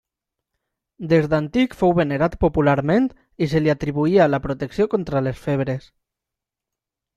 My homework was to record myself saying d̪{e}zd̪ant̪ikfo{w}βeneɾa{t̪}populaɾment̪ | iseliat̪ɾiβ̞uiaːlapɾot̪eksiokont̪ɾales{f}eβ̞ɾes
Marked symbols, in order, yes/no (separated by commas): yes, yes, yes, yes